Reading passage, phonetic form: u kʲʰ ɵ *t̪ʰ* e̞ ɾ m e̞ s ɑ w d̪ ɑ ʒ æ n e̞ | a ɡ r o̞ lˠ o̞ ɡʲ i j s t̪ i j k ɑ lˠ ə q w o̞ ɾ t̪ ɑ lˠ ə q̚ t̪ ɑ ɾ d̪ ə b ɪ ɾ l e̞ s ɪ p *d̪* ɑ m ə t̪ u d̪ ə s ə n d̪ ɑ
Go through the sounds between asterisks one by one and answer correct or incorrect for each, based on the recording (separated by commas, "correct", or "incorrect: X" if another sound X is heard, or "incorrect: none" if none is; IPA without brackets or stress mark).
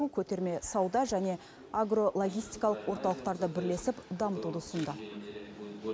incorrect: t̪, correct